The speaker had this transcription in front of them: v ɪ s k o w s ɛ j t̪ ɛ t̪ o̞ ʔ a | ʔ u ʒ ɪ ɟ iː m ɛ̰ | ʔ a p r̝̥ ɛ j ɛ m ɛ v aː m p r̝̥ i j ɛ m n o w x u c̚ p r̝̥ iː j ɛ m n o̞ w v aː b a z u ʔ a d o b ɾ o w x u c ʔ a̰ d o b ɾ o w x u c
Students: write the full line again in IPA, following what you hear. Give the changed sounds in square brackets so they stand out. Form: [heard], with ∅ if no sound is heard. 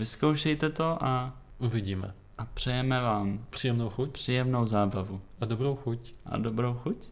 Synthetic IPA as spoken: v ɪ s k o w [ʃ] ɛ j t̪ ɛ t̪ o̞ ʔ a | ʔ u [v] ɪ ɟ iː m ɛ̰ | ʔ a p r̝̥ ɛ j ɛ m ɛ v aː m p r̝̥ i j ɛ m n o w x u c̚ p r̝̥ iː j ɛ m n o̞ w [z] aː b a [v] u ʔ a d o b ɾ o w x u c ʔ a̰ d o b ɾ o w x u c